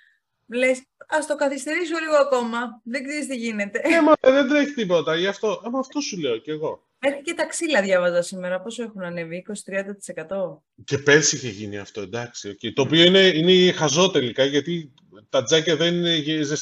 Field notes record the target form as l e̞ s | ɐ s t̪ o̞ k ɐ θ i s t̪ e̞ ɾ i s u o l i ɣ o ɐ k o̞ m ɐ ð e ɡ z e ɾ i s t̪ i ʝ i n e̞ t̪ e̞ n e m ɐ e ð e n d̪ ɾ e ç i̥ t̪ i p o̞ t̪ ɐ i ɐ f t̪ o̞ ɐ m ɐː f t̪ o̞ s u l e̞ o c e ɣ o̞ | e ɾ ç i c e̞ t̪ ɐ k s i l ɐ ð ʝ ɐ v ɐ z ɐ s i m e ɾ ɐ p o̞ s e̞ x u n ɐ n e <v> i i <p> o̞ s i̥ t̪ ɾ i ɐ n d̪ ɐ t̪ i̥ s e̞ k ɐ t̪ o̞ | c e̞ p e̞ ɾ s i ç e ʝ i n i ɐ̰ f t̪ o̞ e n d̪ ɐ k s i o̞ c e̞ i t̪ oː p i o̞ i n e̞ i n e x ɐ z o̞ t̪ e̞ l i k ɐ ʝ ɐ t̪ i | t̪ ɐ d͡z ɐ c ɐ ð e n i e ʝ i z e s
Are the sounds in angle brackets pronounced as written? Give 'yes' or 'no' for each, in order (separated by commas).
yes, no